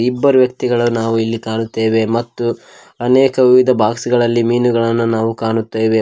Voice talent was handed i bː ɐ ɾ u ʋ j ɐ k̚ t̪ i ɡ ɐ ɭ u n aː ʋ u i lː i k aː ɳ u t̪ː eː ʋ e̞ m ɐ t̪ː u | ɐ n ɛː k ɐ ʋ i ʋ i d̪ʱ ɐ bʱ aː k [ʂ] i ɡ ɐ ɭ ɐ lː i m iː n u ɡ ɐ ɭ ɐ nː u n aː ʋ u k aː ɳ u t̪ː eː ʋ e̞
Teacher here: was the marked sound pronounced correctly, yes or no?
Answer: no